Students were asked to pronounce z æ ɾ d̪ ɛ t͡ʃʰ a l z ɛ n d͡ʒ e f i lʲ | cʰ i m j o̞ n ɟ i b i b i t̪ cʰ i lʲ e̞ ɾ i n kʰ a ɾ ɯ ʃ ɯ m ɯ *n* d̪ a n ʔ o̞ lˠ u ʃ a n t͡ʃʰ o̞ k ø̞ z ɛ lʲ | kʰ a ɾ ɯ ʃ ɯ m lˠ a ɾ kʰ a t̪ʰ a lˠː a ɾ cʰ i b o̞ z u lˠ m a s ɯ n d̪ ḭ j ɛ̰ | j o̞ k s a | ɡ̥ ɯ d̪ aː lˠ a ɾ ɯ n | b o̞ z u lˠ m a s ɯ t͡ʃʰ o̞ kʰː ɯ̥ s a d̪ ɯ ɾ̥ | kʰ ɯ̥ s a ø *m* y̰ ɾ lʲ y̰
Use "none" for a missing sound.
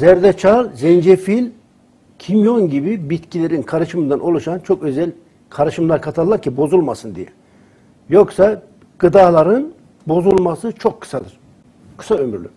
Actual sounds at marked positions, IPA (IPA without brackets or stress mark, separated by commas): n, m